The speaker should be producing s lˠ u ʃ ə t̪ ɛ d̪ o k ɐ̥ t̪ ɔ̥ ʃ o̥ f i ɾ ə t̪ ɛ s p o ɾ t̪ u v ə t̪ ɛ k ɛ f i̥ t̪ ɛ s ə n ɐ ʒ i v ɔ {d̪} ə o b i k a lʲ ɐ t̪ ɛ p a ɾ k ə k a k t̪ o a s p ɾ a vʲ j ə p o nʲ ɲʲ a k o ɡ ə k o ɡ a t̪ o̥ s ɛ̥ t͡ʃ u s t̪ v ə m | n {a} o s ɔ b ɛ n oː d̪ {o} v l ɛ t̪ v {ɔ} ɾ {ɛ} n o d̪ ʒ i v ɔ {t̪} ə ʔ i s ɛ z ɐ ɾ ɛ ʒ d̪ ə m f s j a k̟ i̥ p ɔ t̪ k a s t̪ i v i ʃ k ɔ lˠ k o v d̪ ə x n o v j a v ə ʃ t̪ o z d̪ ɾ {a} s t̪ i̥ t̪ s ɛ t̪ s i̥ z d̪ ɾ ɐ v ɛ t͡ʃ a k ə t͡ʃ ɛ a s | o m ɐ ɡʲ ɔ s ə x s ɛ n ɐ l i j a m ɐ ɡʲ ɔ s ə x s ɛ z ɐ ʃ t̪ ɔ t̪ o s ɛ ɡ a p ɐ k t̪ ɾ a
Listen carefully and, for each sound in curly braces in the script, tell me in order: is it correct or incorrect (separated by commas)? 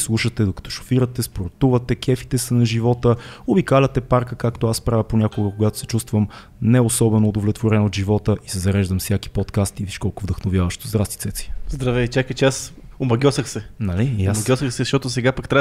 incorrect, incorrect, correct, incorrect, correct, correct, correct